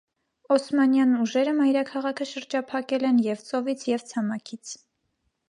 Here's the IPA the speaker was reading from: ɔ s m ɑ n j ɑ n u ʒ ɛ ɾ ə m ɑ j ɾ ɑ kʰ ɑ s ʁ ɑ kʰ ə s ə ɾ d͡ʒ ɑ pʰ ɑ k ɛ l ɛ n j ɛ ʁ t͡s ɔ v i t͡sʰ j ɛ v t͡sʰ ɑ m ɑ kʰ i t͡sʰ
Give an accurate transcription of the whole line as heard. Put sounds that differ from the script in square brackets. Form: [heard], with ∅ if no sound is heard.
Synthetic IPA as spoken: ɔ s m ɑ n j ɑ n u ʒ ɛ ɾ ə m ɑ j ɾ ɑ kʰ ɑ [∅] ʁ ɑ kʰ ə [ʃ] ə ɾ d͡ʒ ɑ pʰ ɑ k ɛ l ɛ n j ɛ [v] t͡s ɔ v i t͡sʰ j ɛ v t͡sʰ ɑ m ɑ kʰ i t͡sʰ